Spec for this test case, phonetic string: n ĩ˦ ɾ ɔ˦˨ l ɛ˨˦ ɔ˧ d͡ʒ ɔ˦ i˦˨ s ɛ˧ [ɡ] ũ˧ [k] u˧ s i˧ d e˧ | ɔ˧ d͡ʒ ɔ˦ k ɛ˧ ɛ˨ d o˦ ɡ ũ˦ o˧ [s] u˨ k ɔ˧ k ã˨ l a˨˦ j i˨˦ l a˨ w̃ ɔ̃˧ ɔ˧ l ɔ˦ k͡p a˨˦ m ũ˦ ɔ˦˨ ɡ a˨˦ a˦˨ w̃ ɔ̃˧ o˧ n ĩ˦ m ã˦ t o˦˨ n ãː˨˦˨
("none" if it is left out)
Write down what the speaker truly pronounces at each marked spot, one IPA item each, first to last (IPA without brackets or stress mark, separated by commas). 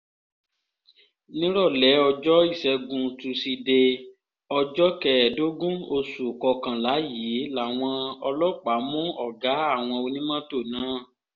ɡ, t, s